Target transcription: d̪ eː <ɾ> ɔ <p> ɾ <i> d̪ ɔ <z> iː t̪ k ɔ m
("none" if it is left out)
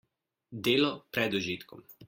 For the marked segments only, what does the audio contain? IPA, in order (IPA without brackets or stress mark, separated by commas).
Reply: l, p, ɛ, ʒ